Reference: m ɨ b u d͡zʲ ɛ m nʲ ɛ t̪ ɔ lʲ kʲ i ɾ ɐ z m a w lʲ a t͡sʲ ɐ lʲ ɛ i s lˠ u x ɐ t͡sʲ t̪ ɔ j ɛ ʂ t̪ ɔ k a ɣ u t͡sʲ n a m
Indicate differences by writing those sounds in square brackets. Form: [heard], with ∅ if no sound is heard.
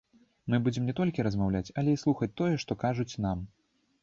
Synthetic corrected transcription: m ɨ b u d͡zʲ ɛ m nʲ ɛ t̪ ɔ lʲ kʲ i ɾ ɐ z m a w lʲ a t͡sʲ ɐ lʲ ɛ i s lˠ u x ɐ t͡sʲ t̪ ɔ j ɛ ʂ t̪ ɔ k a [ʐ] u t͡sʲ n a m